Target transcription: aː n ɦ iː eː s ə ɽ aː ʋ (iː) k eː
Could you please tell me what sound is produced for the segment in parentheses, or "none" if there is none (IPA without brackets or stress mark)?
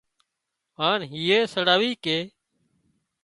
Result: iː